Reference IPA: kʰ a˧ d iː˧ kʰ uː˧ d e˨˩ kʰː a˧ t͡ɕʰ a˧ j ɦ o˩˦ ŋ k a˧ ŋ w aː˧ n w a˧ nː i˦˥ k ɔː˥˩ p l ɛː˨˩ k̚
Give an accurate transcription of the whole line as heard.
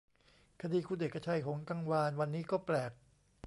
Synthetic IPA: kʰ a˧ d iː˧ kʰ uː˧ d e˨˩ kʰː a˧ t͡ɕʰ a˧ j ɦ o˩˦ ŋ k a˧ ŋ w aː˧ n w a˧ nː iː˦˥ k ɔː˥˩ p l ɛː˨˩ k̚